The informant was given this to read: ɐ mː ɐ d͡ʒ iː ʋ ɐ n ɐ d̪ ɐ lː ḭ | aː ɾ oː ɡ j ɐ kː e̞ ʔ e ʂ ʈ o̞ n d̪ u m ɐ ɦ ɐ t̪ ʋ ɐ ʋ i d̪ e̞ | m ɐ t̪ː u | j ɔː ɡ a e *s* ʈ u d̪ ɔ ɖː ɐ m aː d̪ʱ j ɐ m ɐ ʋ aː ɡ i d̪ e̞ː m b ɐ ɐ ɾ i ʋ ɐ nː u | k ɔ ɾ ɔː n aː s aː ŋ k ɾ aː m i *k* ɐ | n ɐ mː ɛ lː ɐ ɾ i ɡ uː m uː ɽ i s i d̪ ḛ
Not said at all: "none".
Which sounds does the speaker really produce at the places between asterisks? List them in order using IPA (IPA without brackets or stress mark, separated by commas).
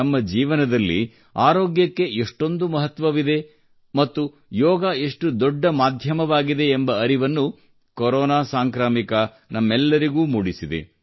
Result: ʂ, k